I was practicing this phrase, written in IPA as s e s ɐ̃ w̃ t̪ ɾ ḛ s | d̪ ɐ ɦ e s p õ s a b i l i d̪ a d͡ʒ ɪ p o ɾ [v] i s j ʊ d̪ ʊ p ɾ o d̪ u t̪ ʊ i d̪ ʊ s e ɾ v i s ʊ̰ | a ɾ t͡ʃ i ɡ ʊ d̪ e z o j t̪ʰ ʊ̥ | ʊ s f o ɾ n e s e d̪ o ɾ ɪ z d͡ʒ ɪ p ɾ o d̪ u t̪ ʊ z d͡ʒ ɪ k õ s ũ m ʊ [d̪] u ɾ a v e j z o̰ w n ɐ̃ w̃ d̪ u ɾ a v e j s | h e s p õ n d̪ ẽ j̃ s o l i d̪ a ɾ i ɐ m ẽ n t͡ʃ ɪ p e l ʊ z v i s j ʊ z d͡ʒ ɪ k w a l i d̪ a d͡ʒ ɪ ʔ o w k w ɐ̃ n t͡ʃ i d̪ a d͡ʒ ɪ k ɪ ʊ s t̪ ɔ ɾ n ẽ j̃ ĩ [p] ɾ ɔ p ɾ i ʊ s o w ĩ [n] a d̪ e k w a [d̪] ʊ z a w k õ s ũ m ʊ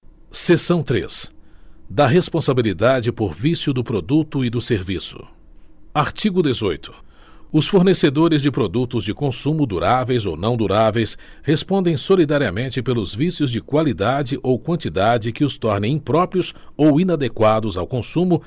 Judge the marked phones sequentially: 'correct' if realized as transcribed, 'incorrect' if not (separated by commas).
correct, correct, correct, correct, correct